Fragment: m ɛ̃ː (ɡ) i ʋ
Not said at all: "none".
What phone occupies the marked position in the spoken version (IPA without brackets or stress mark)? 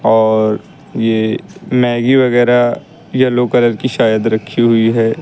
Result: ɡ